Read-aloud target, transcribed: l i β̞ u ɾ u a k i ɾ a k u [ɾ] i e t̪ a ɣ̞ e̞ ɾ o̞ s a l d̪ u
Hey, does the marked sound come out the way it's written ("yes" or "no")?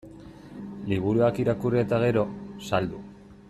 no